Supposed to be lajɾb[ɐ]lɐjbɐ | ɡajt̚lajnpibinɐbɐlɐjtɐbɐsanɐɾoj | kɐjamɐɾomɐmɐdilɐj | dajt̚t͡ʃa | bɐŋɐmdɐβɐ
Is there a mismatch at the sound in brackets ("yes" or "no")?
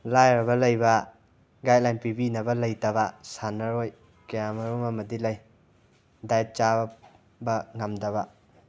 no